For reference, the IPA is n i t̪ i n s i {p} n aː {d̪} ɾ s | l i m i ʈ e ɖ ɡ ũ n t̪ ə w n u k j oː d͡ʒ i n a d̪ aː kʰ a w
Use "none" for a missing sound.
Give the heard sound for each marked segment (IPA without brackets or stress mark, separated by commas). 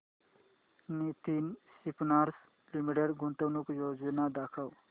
p, none